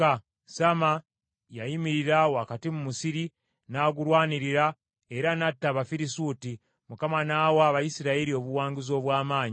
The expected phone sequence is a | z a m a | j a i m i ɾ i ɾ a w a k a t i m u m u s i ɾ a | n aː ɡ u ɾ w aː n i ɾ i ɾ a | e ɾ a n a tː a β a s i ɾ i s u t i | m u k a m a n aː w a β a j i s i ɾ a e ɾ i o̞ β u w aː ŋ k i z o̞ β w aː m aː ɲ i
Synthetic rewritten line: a | s a m a | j a i m i ɾ i ɾ a w a k a t i m u m u s i ɾ i | n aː ɡ u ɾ w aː n i ɾ i ɾ a | e ɾ a n a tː a β a f i ɾ i s u t i | m u k a m a n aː w a β a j i s i ɾ a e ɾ i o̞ β u w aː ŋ ɡ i z o̞ β w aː m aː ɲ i